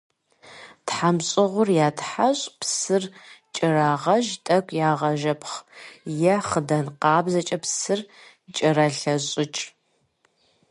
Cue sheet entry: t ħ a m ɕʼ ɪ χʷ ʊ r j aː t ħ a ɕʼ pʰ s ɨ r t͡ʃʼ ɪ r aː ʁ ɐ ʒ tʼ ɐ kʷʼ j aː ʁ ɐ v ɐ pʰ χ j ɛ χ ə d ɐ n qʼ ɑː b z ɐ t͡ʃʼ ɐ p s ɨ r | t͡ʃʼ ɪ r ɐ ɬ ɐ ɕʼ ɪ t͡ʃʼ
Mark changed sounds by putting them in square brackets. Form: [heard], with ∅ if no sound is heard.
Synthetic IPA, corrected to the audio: t ħ a m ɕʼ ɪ [ʁʷ] ʊ r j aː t ħ a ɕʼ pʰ s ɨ r t͡ʃʼ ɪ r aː ʁ ɐ ʒ tʼ ɐ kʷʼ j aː ʁ ɐ [ʒ] ɐ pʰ χ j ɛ χ ə d ɐ n [q] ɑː b z ɐ t͡ʃʼ ɐ p s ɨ r | t͡ʃʼ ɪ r ɐ ɬ ɐ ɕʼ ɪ t͡ʃʼ

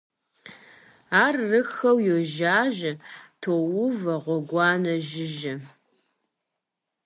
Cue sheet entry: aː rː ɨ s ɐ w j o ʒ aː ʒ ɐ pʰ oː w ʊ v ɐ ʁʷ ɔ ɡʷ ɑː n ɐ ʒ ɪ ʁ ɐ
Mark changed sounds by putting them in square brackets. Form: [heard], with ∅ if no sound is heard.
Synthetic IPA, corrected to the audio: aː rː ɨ [x] ɐ w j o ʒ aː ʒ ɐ [tʰ] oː w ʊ v ɐ ʁʷ ɔ ɡʷ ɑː n ɐ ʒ ɪ [ʒ] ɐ

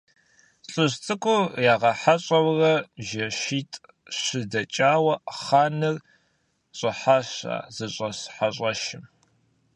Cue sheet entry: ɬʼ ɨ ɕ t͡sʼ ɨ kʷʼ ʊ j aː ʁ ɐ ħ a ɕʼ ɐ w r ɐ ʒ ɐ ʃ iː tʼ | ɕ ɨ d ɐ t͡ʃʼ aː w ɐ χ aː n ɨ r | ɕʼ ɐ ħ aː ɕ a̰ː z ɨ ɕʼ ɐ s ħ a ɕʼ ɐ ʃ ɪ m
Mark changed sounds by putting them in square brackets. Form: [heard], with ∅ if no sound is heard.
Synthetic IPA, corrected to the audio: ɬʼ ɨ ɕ t͡sʼ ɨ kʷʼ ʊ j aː ʁ ɐ ħ a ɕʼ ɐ w r ɐ ʒ ɐ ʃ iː tʼ | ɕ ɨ d ɐ t͡ʃʼ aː w ɐ χ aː n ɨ r | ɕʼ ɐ ħ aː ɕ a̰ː z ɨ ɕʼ ɐ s ħ a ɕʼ ɐ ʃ ɪ m

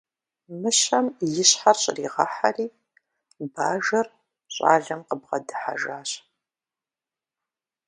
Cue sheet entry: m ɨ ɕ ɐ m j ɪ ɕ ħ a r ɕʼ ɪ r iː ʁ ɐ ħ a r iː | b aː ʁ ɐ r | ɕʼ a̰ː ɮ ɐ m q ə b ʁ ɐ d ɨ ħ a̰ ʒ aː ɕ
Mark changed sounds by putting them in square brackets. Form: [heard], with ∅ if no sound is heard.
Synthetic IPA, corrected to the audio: m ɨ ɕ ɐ m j ɪ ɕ ħ a r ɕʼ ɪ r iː ʁ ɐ ħ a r iː | b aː [ʒ] ɐ r | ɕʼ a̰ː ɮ ɐ m q ə b ʁ ɐ d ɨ ħ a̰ ʒ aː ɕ

